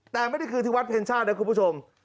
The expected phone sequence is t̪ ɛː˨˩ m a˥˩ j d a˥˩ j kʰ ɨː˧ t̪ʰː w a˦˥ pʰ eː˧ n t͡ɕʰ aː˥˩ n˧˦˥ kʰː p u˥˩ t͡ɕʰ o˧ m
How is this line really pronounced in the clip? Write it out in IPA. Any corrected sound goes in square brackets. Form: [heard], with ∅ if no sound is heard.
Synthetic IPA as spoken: t̪ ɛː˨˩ m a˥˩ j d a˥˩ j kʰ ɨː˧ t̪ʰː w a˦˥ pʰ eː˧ n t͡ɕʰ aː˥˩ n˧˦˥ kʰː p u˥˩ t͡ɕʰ o˧ m